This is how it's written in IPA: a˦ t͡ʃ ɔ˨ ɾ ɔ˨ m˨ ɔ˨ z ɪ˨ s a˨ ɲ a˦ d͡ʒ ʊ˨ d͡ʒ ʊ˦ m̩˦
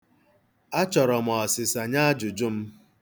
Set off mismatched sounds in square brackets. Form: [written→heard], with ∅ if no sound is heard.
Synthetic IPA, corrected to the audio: a˦ t͡ʃ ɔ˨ ɾ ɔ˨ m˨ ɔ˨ [z→s] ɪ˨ s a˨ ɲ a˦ d͡ʒ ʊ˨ d͡ʒ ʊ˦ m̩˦